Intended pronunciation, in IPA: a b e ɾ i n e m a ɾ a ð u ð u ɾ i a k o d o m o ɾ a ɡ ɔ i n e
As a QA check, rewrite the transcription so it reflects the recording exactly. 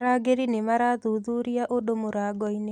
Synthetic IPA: a ɡ e ɾ i n e m a ɾ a ð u ð u ɾ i a ʔ o d o m o ɾ a ɡ ɔ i n e